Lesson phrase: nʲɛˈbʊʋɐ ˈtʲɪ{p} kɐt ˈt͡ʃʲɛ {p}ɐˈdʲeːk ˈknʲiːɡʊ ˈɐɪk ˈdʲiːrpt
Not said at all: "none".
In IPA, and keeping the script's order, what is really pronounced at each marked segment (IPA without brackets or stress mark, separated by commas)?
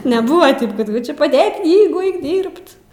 p, p